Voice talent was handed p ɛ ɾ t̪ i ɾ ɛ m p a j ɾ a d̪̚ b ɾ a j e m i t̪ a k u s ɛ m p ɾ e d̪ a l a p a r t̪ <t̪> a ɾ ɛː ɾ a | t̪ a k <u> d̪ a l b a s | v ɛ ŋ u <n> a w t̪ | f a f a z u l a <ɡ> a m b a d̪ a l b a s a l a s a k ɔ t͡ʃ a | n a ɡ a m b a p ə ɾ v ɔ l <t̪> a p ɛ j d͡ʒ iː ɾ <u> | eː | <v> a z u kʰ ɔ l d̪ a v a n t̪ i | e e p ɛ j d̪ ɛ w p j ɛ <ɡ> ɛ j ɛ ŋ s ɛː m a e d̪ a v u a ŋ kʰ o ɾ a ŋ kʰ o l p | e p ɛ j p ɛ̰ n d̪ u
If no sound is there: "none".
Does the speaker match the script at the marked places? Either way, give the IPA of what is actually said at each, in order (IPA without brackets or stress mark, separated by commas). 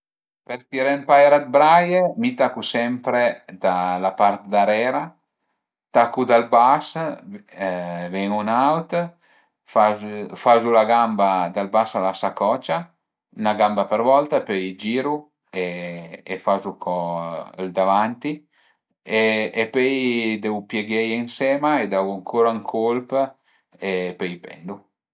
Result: d̪, u, n, ɡ, t̪, u, f, ɡ